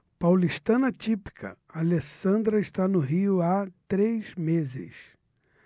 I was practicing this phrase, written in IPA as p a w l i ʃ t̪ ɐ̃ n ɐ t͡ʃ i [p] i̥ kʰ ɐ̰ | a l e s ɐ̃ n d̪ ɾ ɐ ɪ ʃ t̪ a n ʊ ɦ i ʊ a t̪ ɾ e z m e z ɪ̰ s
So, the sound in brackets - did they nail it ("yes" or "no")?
yes